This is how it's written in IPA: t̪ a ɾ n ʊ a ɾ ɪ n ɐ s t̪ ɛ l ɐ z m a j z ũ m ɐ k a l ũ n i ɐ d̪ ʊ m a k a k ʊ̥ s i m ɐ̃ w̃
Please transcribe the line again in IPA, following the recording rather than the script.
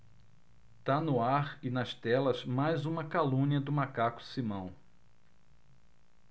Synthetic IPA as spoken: t̪ a n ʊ a ɾ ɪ n ɐ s t̪ ɛ l ɐ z m a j z ũ m ɐ k a l ũ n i ɐ d̪ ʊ m a k a k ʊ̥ s i m ɐ̃ w̃